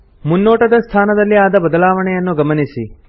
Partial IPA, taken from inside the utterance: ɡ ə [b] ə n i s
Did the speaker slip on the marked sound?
yes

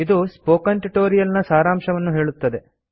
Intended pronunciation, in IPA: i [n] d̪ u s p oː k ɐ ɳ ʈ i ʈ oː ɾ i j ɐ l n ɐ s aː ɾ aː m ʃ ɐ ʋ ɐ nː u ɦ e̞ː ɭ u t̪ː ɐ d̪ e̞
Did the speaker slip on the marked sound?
yes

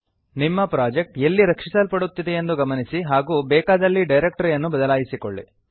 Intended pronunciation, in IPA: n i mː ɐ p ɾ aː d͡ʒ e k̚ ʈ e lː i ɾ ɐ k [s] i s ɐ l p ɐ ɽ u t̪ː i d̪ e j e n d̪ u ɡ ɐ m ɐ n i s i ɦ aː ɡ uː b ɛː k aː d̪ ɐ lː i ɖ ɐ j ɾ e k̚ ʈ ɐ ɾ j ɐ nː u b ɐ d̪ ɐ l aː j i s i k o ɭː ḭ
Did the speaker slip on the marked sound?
yes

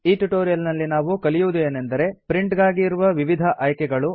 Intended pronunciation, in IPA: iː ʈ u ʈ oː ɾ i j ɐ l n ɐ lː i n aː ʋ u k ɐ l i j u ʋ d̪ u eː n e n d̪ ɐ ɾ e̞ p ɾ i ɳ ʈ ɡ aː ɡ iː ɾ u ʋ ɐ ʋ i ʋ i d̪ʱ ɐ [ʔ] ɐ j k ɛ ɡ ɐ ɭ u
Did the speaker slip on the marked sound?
no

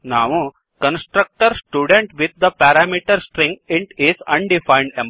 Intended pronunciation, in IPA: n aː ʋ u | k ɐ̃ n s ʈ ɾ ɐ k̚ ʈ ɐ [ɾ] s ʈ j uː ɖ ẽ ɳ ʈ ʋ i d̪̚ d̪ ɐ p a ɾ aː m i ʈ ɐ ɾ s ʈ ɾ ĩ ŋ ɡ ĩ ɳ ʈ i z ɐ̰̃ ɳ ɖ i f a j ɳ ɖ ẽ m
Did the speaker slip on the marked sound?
no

